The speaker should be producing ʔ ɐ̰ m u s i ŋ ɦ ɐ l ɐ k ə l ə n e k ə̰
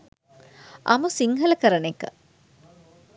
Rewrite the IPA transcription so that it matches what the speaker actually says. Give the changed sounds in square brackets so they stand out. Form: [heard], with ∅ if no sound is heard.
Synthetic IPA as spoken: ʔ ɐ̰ m u s i ŋ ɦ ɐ l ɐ k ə [ɾ] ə n e k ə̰